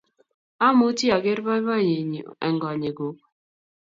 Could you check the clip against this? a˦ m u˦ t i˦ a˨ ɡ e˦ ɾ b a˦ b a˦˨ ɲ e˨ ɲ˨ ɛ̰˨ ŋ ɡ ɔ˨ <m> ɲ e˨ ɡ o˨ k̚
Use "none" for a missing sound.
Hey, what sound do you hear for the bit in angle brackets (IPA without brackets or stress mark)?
none